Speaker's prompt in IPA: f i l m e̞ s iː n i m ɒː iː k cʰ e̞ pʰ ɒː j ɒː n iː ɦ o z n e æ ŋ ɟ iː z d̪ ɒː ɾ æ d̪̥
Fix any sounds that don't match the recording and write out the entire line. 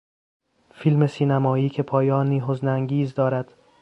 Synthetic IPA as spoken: f i l m e̞ s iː n æ m ɒː iː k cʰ e̞ pʰ ɒː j ɒː n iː ɦ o z n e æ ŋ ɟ iː z d̪ ɒː ɾ æ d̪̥